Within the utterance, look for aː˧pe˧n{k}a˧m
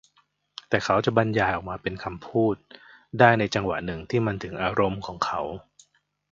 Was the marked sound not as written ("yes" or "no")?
yes